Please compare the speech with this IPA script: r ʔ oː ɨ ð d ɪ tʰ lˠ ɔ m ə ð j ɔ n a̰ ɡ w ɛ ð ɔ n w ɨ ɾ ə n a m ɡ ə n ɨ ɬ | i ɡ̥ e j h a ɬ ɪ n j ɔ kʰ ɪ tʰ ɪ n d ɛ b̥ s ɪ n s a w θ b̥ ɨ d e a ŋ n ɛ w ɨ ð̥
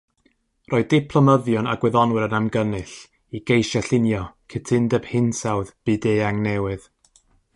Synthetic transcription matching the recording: r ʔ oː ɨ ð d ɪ pʰ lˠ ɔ m ə ð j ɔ n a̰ ɡ w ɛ ð ɔ n w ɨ ɾ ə n a m ɡ ə n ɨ ɬ | i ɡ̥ e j ʃ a ɬ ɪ n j ɔ kʰ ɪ tʰ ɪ n d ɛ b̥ h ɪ n s a w ð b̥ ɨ d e a ŋ n ɛ w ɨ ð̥